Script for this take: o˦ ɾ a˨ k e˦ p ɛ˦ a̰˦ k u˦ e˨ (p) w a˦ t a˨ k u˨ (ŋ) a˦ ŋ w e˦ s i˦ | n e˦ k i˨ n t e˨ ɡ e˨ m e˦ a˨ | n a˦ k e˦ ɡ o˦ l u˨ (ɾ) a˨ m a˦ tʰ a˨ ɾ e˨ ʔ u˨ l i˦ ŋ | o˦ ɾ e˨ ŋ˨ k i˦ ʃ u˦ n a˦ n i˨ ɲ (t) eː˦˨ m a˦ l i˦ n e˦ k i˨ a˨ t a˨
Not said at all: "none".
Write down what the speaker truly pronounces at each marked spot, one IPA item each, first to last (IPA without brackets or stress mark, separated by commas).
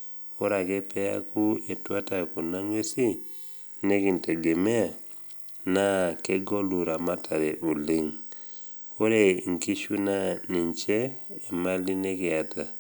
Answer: t, n, ɾ, t͡ʃ